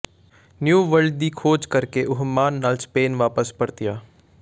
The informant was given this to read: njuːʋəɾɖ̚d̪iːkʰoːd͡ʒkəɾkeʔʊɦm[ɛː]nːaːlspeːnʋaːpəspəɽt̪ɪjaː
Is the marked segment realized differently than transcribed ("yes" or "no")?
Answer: yes